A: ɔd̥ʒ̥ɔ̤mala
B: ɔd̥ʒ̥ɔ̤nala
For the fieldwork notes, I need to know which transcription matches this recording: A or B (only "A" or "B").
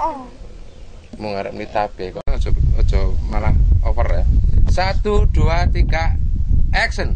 A